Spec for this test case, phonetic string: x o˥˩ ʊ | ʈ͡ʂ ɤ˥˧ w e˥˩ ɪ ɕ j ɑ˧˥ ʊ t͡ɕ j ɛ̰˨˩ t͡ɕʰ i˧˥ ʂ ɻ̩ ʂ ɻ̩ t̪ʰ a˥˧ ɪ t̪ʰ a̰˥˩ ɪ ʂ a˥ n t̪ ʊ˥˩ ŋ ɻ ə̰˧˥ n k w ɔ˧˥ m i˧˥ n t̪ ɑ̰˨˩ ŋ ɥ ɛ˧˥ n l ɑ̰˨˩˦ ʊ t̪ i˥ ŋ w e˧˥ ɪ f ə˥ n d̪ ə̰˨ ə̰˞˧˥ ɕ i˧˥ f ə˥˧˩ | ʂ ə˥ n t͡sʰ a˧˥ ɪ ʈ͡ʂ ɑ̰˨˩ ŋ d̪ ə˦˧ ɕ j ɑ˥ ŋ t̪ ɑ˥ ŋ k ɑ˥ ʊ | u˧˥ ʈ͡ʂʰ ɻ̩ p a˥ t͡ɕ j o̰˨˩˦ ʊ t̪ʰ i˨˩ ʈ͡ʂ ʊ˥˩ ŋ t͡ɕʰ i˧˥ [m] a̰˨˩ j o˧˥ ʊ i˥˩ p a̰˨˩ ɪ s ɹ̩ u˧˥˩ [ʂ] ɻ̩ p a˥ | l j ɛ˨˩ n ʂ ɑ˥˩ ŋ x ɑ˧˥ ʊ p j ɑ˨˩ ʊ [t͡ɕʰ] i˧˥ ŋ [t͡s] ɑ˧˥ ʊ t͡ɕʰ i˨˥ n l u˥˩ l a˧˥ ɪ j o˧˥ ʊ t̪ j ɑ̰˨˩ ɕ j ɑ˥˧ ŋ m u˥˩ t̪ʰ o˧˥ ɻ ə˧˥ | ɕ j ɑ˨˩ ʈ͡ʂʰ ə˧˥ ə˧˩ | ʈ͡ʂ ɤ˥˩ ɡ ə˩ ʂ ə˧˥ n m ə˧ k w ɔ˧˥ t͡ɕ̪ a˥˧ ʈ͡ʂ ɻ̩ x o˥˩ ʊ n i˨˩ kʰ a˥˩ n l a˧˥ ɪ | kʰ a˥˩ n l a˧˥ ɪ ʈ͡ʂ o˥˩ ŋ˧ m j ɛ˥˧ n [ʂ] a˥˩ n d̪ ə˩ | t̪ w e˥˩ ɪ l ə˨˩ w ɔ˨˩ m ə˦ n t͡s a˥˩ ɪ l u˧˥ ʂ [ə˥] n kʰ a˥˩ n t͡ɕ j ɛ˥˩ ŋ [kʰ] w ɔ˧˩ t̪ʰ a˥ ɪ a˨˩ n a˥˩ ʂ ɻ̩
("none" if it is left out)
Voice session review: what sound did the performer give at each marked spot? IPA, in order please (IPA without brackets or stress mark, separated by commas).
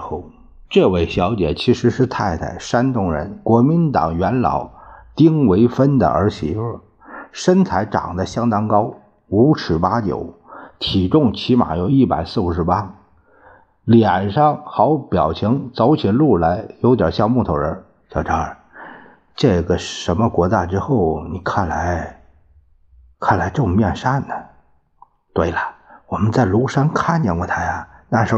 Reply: m, ʂ, t͡ɕʰ, t͡s, ʂ, a˥, k